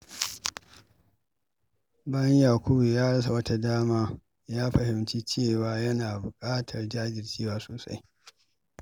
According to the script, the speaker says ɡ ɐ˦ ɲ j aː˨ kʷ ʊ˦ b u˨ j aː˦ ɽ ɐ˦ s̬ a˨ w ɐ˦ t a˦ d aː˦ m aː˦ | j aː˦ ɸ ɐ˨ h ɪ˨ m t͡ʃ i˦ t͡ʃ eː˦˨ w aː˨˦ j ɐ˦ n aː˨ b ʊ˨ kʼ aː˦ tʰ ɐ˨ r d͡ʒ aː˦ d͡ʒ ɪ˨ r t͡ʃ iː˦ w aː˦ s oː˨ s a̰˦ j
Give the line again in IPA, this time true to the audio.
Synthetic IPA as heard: b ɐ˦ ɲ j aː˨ kʷ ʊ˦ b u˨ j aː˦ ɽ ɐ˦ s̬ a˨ w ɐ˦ t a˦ d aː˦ m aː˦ | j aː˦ ɸ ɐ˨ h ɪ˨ m t͡ʃ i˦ t͡ʃ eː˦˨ w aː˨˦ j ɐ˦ n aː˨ b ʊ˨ kʼ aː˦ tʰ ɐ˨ r d͡ʒ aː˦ d͡ʒ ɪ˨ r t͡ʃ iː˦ w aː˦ s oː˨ s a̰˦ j